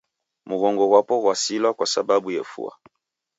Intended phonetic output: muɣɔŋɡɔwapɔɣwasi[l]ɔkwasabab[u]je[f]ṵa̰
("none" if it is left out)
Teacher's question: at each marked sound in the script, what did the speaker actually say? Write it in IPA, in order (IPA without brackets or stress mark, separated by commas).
l, u, f